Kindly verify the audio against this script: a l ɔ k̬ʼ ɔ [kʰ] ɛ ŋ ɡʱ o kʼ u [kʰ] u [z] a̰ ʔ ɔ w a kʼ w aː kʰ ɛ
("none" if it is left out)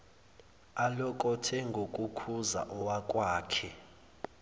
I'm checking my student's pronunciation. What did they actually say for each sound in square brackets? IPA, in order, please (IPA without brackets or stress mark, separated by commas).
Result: tʰ, kʰ, z